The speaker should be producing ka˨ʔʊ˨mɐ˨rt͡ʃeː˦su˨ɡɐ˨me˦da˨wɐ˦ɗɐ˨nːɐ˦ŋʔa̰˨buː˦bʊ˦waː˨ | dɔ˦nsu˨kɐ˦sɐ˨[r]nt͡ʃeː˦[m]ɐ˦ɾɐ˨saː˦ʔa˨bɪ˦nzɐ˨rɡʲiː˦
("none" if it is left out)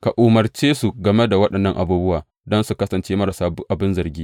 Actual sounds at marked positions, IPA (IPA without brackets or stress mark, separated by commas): none, m